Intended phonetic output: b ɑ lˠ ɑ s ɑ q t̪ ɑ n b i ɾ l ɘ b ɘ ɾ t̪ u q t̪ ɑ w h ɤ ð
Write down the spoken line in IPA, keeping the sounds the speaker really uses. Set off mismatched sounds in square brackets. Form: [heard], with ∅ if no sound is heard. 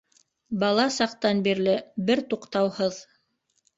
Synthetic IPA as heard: b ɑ lˠ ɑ s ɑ q t̪ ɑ n b i ɾ l ɘ b ɘ ɾ t̪ u q t̪ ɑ w h ɤ ð